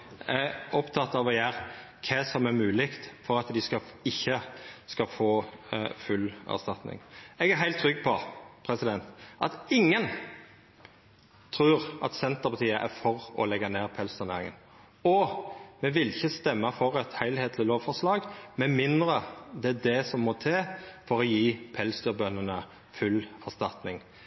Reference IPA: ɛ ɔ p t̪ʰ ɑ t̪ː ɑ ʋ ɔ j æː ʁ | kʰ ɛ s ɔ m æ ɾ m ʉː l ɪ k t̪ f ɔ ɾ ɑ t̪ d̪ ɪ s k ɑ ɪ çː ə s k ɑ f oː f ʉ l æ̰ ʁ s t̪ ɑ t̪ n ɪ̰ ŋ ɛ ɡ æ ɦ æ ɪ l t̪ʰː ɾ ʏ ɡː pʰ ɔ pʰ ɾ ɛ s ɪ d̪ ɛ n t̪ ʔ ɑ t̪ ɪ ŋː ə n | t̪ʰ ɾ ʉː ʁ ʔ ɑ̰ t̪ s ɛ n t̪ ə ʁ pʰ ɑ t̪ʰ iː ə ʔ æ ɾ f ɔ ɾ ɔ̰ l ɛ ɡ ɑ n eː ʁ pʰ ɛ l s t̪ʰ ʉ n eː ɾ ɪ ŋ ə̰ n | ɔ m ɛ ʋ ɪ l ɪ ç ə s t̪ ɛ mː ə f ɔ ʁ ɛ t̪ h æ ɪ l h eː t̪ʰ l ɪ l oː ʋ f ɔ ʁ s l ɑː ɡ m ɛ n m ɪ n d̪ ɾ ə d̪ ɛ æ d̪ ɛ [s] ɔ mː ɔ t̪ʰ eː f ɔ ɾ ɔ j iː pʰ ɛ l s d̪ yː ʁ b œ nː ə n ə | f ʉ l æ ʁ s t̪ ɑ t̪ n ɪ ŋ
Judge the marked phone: correct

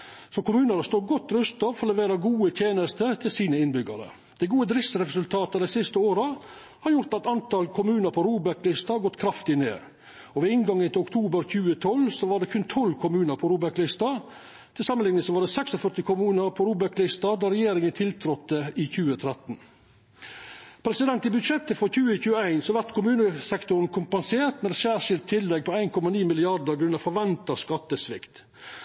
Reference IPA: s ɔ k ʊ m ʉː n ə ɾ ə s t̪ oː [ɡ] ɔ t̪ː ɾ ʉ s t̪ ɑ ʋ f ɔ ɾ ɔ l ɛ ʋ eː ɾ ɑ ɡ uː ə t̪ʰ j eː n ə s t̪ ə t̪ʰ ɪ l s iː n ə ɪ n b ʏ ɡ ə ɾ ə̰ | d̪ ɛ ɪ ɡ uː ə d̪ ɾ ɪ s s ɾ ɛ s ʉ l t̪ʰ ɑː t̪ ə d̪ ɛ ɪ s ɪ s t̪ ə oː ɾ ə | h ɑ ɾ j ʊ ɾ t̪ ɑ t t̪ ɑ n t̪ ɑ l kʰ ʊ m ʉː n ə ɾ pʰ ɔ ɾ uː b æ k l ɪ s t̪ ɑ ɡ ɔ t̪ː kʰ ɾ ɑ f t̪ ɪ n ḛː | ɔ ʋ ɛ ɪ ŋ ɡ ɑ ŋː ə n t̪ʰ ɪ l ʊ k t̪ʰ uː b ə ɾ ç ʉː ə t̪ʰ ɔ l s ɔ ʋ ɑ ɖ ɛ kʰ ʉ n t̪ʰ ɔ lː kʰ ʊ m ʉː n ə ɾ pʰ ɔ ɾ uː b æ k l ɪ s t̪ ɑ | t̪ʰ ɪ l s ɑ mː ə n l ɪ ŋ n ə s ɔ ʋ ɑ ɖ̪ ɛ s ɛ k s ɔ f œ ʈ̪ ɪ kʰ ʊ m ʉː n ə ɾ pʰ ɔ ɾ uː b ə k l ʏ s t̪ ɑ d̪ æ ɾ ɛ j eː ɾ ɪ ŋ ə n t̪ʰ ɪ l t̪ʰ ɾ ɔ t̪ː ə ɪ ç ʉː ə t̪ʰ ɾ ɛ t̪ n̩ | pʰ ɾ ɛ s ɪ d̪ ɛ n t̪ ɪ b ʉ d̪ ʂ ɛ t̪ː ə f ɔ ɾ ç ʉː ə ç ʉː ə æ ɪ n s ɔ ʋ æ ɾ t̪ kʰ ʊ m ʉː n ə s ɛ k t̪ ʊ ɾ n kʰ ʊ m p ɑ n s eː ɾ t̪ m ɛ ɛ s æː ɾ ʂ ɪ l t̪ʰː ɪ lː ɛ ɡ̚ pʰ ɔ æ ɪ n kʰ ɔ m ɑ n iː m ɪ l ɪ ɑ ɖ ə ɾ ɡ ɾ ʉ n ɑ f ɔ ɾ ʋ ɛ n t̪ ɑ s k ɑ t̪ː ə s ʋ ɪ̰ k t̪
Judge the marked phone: correct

